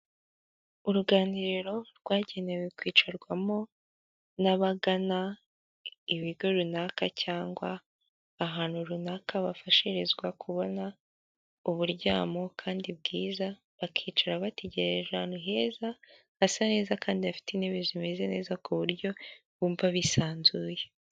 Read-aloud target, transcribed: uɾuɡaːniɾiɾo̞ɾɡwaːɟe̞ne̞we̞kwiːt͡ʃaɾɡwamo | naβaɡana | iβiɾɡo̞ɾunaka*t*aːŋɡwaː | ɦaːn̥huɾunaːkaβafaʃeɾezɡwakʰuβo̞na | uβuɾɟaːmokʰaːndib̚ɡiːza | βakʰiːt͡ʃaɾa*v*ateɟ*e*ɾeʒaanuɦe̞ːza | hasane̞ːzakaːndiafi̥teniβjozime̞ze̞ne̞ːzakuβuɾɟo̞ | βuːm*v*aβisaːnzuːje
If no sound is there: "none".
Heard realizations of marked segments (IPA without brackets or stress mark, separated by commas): c, β, e, v